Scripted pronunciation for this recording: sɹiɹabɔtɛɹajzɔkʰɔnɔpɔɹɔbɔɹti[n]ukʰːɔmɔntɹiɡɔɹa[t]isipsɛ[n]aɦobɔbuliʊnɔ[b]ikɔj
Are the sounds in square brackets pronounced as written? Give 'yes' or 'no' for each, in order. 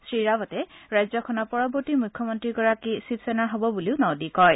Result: no, no, yes, no

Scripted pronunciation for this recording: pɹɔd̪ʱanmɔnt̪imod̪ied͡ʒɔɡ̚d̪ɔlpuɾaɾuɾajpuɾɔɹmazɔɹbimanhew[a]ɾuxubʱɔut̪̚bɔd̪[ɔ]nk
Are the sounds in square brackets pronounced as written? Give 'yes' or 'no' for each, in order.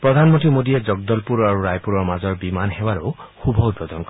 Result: yes, yes

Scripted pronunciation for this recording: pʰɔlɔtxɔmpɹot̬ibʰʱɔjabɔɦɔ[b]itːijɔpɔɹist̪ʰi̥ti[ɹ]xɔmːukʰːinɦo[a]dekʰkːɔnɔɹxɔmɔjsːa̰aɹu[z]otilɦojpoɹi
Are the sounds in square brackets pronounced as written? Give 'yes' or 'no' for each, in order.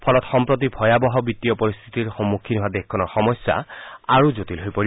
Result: yes, yes, yes, yes

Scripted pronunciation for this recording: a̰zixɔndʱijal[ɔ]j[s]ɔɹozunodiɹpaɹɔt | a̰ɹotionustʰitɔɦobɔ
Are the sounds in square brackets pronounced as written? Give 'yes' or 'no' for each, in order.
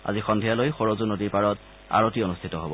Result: no, no

